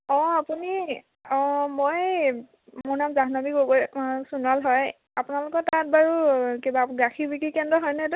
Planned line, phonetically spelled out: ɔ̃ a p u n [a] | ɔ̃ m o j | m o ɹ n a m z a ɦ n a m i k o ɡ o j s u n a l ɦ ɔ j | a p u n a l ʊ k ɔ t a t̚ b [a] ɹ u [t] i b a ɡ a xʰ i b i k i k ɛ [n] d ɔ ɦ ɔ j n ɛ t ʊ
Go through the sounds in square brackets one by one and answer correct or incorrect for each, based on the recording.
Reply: incorrect, correct, incorrect, correct

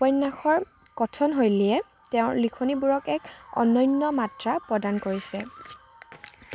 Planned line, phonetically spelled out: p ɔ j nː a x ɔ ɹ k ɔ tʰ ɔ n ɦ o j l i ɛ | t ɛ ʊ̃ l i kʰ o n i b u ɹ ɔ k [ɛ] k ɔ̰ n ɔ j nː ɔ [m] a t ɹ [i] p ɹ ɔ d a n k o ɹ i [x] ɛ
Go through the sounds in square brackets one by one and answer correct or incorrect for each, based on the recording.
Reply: correct, correct, incorrect, incorrect

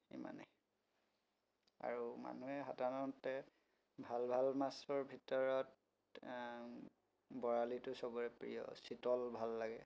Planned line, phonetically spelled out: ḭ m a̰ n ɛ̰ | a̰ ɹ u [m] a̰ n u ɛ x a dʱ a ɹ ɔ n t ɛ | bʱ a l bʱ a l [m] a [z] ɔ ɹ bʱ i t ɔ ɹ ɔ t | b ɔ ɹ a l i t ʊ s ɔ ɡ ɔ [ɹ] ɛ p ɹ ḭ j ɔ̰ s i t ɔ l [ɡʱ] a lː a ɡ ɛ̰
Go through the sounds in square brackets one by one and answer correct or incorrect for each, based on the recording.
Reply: correct, correct, incorrect, correct, incorrect

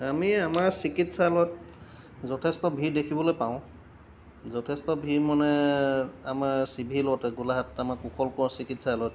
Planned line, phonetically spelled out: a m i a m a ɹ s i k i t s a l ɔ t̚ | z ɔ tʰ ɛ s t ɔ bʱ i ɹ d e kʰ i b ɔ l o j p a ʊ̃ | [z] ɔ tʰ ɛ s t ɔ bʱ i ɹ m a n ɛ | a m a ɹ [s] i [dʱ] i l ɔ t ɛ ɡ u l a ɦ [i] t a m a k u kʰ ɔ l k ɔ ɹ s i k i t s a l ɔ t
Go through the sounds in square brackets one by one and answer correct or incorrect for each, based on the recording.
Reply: correct, correct, incorrect, incorrect

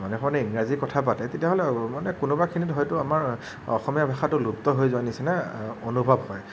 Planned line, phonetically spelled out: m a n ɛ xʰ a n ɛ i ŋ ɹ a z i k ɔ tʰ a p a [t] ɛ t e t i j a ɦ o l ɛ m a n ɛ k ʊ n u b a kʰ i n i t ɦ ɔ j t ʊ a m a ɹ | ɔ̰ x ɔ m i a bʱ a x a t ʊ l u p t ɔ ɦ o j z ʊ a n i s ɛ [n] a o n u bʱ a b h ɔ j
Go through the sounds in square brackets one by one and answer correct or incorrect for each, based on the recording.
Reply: correct, correct

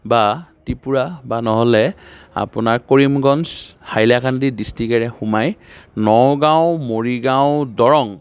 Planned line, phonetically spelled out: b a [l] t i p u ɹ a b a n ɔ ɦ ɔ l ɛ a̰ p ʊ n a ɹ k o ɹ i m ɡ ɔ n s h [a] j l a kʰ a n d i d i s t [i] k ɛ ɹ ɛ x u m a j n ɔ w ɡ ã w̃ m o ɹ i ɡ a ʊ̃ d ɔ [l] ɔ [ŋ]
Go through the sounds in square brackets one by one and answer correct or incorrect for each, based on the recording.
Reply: incorrect, correct, correct, incorrect, correct

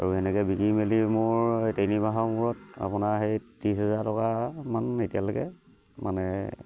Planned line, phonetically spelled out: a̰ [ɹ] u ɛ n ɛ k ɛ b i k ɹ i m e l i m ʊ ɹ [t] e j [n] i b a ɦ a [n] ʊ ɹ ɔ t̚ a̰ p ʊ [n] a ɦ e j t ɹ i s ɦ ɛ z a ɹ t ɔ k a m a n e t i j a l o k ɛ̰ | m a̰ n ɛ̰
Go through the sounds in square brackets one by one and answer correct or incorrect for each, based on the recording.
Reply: correct, correct, correct, incorrect, correct

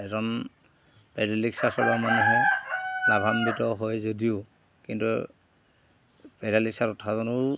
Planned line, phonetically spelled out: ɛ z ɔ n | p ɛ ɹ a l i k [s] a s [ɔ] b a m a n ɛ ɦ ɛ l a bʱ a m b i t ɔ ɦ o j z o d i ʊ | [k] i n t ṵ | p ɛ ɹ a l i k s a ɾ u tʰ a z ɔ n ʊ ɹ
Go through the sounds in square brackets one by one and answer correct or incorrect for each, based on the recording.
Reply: correct, correct, correct

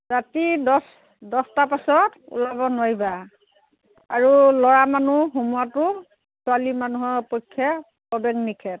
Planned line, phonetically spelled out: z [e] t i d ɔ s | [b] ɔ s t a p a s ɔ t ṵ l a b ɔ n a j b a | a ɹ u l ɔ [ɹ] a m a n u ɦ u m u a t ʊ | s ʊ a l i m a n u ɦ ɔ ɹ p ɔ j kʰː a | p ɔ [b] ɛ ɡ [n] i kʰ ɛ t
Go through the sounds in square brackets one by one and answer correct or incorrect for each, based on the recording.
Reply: incorrect, incorrect, correct, correct, correct

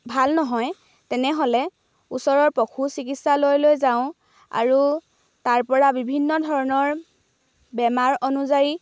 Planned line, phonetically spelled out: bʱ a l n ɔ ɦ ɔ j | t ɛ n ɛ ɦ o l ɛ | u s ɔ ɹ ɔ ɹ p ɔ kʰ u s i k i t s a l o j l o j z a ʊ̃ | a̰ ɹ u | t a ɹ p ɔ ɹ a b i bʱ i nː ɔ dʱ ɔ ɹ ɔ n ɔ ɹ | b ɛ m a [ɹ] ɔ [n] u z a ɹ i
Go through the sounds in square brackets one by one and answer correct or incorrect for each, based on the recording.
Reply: correct, correct

